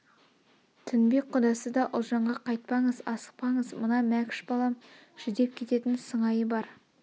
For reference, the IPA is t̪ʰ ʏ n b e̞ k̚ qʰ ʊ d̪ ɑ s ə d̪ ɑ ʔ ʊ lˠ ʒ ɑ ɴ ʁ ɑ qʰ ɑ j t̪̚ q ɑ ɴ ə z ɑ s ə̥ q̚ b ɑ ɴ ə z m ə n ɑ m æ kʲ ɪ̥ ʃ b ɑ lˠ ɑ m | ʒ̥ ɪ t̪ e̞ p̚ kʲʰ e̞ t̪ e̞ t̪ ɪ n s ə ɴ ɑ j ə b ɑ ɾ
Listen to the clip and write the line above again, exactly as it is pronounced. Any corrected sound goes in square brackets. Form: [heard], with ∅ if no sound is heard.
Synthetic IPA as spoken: t̪ʰ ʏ n b e̞ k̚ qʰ ʊ d̪ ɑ s ə d̪ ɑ ʔ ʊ lˠ ʒ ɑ ɴ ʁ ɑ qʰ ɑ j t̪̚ [p] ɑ ɴ ə z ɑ s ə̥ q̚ [p] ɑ ɴ ə z m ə n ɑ m æ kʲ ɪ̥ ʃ b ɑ lˠ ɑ m | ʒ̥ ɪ [d̪] e̞ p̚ kʲʰ e̞ t̪ e̞ t̪ ɪ n s ə ɴ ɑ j ə b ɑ ɾ